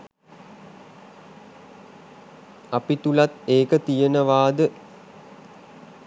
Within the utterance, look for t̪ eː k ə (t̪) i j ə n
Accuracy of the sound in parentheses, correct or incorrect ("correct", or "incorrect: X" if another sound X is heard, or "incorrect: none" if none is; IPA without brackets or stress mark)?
correct